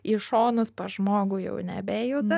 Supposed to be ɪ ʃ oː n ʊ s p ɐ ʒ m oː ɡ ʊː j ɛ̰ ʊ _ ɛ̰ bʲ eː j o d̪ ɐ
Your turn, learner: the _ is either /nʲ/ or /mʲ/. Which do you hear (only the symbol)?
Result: nʲ